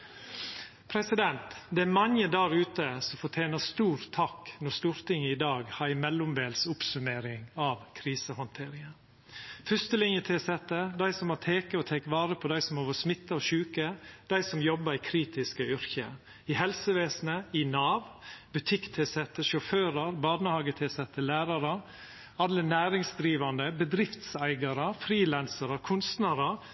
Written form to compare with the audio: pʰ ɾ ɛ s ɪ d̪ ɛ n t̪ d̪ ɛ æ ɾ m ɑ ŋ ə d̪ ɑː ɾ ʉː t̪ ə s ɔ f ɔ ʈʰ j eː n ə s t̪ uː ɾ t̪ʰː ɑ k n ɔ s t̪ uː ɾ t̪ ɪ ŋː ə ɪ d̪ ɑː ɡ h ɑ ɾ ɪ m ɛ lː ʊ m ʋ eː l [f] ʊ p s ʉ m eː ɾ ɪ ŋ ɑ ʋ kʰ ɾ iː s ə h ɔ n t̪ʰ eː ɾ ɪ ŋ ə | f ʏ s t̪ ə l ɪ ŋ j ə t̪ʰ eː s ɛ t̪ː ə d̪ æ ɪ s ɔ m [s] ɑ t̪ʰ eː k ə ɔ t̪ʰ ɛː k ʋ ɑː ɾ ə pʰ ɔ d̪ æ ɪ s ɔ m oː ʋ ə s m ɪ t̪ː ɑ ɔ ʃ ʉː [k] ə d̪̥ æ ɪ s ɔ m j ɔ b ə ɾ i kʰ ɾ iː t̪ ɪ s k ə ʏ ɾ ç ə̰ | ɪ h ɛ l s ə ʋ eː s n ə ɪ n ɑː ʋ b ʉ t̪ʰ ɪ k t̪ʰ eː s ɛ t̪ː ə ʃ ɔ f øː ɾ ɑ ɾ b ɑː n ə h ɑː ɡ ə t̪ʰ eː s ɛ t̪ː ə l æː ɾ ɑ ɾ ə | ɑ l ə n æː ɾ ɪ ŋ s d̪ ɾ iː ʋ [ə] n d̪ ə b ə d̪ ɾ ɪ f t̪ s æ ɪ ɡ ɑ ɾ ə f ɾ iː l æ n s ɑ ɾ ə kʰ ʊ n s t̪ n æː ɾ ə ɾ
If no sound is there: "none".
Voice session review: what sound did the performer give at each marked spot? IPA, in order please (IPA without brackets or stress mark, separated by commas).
s, h, k, ɑ